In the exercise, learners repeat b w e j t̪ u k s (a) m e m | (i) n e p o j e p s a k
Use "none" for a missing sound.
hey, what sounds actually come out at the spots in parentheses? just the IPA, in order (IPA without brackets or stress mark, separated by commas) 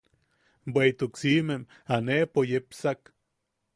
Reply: i, a